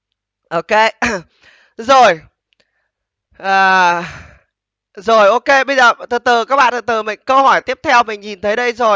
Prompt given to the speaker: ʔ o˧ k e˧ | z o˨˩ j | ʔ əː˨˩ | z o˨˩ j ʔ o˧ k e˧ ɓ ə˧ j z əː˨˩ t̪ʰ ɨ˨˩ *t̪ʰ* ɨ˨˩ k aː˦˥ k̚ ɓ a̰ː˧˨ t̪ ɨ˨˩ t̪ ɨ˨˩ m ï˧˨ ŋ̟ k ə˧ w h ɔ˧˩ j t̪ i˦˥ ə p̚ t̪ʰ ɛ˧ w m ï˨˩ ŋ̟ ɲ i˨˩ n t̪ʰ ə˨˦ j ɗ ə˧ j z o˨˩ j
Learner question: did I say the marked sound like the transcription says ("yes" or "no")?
no